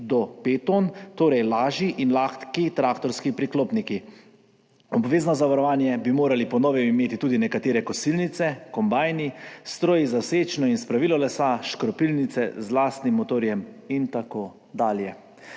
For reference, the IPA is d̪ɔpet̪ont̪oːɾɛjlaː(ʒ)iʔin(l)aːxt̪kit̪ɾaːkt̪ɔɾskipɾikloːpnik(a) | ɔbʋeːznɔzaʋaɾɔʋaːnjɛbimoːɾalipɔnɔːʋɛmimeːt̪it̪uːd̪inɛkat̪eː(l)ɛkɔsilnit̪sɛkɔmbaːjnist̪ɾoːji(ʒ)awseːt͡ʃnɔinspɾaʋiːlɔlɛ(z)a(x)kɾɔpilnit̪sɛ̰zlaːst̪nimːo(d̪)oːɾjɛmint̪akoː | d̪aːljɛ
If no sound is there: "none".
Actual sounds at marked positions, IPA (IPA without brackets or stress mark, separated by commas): ʒ, l, i, ɾ, z, s, ʃ, t̪